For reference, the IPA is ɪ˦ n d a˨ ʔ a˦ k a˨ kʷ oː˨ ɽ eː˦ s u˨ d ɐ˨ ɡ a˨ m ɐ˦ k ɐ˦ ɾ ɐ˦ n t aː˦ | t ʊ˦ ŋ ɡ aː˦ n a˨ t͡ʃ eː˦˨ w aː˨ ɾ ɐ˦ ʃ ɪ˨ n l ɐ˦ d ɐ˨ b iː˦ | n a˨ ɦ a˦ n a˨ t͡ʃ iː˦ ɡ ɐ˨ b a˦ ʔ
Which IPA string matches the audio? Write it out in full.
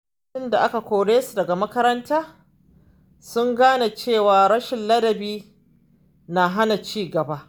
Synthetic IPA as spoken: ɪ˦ n d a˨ ʔ a˦ k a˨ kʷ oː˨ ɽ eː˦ s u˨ d ɐ˨ ɡ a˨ m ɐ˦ k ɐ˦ ɾ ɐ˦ n t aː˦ | s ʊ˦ ŋ ɡ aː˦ n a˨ t͡ʃ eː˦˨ w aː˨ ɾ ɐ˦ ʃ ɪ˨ n l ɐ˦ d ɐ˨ b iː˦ | n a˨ ɦ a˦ n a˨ t͡ʃ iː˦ ɡ ɐ˨ b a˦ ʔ

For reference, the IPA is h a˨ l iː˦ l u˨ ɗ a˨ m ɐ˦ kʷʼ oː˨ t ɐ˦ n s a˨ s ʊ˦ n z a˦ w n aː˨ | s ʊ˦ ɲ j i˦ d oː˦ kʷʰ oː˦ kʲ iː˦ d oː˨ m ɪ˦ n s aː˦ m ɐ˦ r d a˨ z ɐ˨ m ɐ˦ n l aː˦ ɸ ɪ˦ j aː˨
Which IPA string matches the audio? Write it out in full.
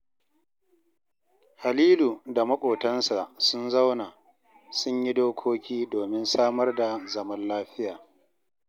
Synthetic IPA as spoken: h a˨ l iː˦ l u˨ d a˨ m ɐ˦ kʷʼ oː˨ t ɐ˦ n s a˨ s ʊ˦ n z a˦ w n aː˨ | s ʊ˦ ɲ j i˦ d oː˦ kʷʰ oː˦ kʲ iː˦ d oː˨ m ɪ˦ n s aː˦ m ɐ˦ r d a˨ z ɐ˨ m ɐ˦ n l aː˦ ɸ ɪ˦ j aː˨

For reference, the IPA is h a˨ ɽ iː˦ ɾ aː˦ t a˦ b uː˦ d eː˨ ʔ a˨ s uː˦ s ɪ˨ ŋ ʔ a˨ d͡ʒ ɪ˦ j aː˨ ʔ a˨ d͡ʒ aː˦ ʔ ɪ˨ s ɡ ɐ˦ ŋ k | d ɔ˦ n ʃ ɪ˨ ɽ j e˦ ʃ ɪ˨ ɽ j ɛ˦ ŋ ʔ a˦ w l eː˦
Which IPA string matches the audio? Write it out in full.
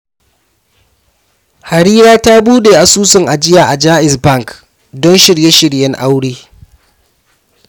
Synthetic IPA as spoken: h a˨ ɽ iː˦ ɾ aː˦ t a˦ b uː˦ d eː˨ ʔ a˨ s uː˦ s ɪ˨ ŋ ʔ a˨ d͡ʒ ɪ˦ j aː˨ ʔ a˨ d͡ʒ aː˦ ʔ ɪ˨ s b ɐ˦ ŋ k | d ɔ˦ n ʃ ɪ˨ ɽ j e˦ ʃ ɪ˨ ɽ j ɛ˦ ŋ ʔ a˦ w ɽ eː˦

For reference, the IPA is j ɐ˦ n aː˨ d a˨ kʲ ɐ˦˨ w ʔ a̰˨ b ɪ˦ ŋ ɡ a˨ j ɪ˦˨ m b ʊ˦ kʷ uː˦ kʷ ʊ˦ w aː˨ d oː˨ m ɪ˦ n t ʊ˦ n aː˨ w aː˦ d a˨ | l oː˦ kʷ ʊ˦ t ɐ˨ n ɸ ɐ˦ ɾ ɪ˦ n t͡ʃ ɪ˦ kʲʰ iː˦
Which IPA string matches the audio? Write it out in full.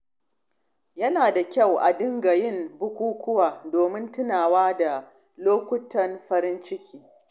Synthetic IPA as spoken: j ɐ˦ n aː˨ d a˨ kʲ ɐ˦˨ w ʔ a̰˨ d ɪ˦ ŋ ɡ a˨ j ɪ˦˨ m b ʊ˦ kʷ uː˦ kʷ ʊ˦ w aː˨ d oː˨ m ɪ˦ n t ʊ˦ n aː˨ w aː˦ d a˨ | l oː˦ kʷ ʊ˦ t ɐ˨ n ɸ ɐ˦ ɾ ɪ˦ n t͡ʃ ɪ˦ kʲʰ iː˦

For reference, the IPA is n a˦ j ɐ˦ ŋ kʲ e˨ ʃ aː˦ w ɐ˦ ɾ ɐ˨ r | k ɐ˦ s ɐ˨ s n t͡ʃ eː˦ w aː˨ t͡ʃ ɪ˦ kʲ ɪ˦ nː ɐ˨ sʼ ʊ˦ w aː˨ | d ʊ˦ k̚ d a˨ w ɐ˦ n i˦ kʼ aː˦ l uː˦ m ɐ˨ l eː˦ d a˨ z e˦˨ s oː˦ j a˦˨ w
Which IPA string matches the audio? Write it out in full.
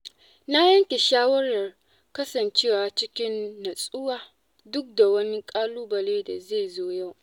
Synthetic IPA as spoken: n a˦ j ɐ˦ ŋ kʲ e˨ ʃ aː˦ w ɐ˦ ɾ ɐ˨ r | k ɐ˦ s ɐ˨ n t͡ʃ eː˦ w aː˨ t͡ʃ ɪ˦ kʲ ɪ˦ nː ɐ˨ sʼ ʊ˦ w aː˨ | d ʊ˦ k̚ d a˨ w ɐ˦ n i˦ kʼ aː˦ l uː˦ b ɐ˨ l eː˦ d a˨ z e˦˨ z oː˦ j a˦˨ w

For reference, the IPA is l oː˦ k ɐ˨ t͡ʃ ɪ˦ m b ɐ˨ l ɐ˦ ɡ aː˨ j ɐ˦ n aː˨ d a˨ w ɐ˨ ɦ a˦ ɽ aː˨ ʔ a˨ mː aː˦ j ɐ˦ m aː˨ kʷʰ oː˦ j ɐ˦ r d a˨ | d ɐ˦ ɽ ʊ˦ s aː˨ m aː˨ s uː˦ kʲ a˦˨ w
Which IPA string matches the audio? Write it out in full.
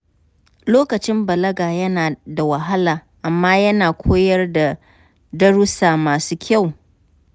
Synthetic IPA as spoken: l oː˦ k ɐ˨ t͡ʃ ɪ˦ m b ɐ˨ l ɐ˦ ɡ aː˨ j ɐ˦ n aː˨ d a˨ w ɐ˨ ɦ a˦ l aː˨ ʔ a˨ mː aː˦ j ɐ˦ n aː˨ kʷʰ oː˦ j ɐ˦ r d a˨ | d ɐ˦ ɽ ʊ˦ s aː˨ m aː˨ s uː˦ kʲ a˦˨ w

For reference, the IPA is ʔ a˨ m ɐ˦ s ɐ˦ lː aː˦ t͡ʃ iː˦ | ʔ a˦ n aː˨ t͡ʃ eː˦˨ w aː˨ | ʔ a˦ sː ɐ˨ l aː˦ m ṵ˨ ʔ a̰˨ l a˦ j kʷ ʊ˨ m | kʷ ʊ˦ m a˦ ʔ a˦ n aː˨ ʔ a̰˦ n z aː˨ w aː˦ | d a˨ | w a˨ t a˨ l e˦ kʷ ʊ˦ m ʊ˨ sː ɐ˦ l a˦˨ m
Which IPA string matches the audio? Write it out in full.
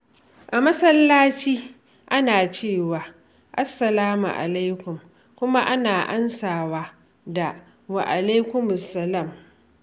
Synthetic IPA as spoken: ʔ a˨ m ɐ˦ s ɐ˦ lː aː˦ t͡ʃ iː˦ | ʔ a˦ n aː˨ t͡ʃ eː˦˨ w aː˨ | ʔ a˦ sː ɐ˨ l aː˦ m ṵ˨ ʔ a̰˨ l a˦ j kʷ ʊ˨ m | kʷ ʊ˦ m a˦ ʔ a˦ n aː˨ ʔ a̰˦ n s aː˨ w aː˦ | d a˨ | w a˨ ʔ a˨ l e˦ kʷ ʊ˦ m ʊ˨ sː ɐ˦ l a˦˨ m

